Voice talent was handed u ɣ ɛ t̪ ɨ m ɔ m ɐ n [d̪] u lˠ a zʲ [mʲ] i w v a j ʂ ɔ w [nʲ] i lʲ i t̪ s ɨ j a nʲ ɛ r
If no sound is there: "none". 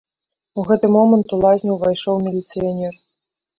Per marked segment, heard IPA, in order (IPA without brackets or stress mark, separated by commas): t̪, nʲ, mʲ